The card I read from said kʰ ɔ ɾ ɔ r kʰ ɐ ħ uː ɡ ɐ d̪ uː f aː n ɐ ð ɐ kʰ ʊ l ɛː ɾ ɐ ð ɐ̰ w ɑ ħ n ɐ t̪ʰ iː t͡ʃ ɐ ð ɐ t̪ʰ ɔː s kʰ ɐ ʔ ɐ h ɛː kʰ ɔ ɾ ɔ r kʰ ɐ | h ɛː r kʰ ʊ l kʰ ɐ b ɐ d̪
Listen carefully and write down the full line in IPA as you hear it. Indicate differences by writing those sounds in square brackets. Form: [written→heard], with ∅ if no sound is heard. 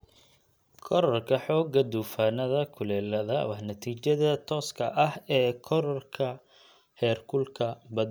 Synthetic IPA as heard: kʰ ɔ ɾ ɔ r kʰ ɐ ħ [uː→ɔː] ɡ ɐ d̪ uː f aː n ɐ ð ɐ kʰ ʊ l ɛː [ɾ→l] ɐ ð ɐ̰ w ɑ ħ n ɐ t̪ʰ iː t͡ʃ ɐ ð ɐ t̪ʰ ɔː s kʰ ɐ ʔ ɐ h ɛː kʰ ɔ ɾ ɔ r kʰ ɐ | h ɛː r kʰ ʊ l kʰ ɐ b ɐ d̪

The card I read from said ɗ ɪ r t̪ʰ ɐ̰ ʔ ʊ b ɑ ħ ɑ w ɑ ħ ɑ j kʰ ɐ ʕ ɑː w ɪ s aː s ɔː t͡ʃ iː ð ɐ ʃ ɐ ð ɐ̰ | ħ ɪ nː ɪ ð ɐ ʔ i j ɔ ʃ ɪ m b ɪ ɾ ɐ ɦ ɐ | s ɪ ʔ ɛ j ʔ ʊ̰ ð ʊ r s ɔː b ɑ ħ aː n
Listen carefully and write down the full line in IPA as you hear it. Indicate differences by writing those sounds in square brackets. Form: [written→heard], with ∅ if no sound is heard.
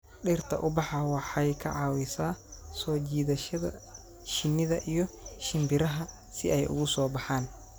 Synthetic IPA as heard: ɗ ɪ r t̪ʰ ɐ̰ ʔ ʊ b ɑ ħ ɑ w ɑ ħ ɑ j kʰ ɐ ʕ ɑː w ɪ s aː s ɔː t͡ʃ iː ð ɐ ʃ ɐ ð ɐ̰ | [ħ→ʃ] ɪ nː ɪ ð ɐ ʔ i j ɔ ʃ ɪ m b ɪ ɾ ɐ ɦ ɐ | s ɪ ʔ ɛ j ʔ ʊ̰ [ð→ɣ] ʊ [r→∅] s ɔː b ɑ ħ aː n

